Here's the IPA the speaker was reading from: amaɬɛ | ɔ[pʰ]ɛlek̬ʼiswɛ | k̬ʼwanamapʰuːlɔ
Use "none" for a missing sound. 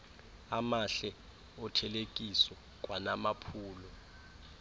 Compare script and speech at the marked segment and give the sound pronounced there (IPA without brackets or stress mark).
tʰ